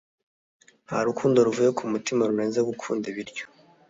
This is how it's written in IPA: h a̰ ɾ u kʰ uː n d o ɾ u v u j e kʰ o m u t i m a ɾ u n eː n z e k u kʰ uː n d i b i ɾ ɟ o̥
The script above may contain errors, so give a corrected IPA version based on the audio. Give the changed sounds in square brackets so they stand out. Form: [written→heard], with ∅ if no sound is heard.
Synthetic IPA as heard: h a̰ ɾ u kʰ uː n d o ɾ u v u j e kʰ [o→u] m u t i m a ɾ u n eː n z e [k→ɡ] u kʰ uː n d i [b→β] i ɾ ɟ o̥